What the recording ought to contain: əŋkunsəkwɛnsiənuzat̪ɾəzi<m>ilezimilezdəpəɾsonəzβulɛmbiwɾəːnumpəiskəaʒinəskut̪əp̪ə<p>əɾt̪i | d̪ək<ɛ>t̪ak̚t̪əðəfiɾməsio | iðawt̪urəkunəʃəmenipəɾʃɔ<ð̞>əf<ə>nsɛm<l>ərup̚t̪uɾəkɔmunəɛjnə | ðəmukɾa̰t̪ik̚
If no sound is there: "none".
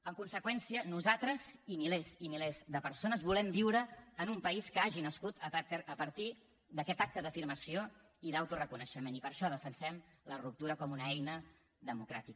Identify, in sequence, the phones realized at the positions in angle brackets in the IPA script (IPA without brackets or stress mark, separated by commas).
m, p, ɛ, ð̞, ə, l